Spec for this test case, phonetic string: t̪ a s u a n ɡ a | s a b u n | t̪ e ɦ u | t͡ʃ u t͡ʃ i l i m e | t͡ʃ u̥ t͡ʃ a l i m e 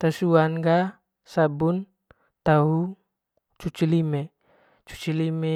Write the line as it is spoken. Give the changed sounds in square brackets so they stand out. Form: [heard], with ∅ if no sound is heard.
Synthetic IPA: t̪ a s u a n ɡ a | s a b u n | t̪ [a] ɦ u | t͡ʃ u t͡ʃ i l i m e | t͡ʃ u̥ t͡ʃ [i] l i m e